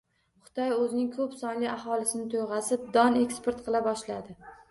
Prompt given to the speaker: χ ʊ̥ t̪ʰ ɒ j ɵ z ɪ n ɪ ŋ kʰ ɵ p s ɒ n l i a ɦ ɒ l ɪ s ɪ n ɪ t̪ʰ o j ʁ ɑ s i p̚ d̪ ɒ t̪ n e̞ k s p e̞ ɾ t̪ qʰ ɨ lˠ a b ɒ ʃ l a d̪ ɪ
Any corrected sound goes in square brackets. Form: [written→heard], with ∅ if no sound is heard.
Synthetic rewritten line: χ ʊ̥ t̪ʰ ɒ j ɵ z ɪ n ɪ ŋ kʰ ɵ p s ɒ n l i a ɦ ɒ l ɪ s ɪ n ɪ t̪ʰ o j ʁ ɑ s [i→ɪ] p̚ d̪ ɒ [t̪→∅] n e̞ k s p e̞ ɾ t̪ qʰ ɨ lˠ a b ɒ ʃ l a d̪ ɪ